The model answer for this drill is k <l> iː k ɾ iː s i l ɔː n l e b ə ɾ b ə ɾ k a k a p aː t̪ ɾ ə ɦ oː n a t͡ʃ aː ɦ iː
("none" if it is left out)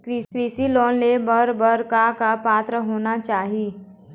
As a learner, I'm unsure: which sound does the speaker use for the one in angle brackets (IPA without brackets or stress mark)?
ɾ